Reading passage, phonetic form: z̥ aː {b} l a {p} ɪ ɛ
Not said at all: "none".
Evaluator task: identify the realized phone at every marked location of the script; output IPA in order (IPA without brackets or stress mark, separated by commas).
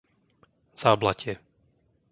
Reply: b, c